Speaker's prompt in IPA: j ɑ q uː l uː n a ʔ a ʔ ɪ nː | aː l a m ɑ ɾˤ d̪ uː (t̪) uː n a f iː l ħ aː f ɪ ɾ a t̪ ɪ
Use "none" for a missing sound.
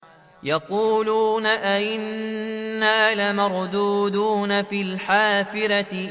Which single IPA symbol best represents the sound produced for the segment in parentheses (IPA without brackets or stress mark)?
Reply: d̪